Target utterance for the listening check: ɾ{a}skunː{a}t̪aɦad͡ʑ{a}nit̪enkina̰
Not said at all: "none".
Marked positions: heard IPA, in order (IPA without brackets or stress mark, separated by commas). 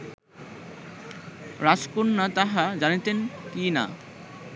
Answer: a, a, a